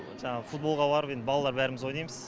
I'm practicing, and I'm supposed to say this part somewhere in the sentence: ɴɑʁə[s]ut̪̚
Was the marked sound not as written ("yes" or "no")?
yes